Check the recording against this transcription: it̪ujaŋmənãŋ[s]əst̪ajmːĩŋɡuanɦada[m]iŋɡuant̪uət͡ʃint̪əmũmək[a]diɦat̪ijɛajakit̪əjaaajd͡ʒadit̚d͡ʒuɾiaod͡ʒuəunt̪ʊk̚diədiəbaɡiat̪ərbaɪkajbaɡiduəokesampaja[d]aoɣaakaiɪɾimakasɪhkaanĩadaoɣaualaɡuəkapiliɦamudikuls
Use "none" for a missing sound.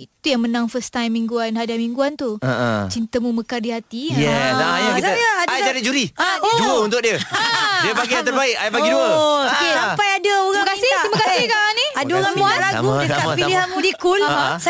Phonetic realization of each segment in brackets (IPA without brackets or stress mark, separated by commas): f, m, a, d